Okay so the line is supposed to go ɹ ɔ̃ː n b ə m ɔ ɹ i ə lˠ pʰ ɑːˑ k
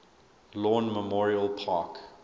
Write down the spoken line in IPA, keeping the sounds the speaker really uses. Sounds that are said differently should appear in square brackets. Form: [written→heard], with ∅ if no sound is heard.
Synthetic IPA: [ɹ→l] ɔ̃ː n [b→m] ə m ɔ ɹ i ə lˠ pʰ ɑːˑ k